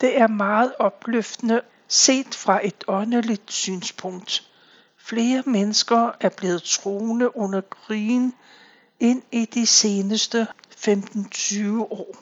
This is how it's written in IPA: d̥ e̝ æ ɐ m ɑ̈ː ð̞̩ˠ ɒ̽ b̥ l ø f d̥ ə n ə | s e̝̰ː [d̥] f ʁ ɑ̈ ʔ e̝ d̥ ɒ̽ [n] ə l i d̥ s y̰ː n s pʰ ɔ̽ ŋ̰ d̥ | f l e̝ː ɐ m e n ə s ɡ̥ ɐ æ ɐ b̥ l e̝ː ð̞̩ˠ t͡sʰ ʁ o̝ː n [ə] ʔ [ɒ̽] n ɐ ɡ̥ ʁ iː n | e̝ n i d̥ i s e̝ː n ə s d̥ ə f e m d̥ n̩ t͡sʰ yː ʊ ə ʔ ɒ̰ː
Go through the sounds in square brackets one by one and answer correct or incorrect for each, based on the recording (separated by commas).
correct, correct, correct, incorrect